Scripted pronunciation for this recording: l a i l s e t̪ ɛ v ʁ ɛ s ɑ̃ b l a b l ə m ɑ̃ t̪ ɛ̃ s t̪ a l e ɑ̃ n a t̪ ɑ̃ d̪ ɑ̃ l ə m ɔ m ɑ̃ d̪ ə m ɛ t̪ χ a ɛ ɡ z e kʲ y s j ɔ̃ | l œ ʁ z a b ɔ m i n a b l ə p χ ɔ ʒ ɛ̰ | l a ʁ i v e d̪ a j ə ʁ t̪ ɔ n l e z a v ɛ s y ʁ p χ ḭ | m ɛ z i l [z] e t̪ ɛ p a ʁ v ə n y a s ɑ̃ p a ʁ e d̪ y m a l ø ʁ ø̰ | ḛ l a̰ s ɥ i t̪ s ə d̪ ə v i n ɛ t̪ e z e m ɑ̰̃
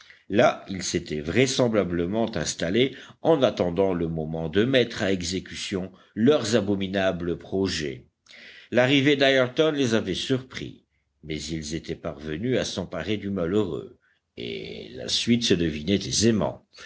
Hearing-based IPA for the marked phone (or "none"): z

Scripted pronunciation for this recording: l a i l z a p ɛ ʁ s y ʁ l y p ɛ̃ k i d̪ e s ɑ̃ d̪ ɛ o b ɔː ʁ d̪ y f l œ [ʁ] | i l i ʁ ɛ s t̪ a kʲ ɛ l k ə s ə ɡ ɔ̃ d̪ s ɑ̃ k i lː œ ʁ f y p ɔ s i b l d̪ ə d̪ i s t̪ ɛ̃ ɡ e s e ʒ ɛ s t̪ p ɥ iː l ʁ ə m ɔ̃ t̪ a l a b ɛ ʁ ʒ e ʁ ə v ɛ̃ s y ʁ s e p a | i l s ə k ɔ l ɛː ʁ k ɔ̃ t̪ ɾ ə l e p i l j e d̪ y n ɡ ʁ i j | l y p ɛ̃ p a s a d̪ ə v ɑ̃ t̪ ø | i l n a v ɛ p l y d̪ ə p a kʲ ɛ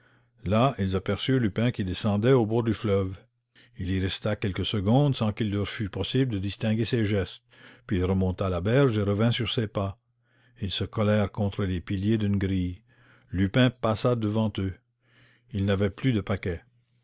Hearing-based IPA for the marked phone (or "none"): v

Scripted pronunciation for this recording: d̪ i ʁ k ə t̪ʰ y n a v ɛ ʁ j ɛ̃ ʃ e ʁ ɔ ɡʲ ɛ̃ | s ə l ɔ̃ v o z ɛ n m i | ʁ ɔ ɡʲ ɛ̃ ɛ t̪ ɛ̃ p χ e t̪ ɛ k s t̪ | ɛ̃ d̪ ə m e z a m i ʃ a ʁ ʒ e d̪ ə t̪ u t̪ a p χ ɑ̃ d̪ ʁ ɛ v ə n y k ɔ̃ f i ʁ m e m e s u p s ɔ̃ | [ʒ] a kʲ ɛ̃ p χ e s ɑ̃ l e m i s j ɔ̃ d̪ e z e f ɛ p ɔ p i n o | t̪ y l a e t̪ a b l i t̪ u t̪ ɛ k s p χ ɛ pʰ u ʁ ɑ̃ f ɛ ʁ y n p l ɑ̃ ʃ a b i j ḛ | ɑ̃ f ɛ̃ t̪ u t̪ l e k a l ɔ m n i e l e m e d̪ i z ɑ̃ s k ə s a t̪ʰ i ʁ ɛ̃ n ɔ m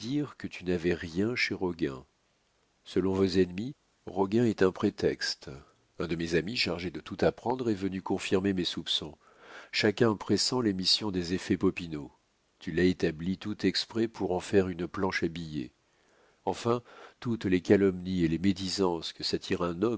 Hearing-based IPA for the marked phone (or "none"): ʃ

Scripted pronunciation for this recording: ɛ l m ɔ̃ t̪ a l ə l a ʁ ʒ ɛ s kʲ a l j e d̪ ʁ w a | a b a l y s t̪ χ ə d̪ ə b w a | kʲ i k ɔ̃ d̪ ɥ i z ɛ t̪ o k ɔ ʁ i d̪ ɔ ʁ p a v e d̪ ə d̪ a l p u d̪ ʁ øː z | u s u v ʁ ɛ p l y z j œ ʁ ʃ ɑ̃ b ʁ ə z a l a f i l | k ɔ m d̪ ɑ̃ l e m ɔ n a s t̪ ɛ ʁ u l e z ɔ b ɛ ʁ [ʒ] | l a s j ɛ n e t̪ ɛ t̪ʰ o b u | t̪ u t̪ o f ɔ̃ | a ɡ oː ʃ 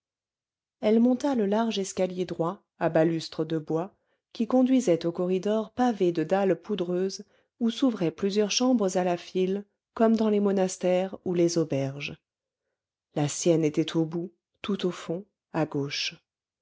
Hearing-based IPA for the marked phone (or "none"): ʒ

